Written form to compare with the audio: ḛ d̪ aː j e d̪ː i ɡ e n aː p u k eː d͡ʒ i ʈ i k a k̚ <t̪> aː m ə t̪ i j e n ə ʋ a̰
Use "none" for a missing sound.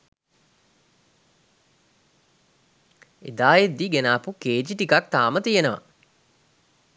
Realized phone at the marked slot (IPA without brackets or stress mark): t̪